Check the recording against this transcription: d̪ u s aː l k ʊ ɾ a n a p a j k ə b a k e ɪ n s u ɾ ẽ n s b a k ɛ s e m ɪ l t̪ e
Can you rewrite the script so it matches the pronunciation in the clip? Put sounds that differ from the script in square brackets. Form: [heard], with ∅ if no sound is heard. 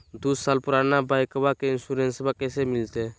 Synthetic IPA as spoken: d̪ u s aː l [p] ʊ ɾ a n a [b] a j k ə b a k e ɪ n s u ɾ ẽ n s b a k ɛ s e m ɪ l t̪ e